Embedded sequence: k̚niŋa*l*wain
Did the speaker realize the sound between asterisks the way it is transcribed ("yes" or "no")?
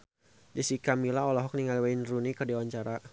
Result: yes